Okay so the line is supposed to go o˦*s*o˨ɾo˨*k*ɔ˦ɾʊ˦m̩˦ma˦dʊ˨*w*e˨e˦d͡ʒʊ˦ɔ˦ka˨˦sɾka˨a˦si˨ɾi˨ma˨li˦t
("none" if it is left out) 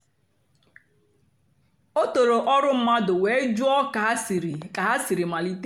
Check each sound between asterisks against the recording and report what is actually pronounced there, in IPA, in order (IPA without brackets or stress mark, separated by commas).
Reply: t, ʔ, w